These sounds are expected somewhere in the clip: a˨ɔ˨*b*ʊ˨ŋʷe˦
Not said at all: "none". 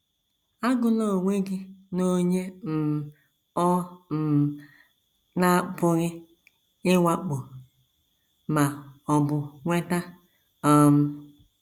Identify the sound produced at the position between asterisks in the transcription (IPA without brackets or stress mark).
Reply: b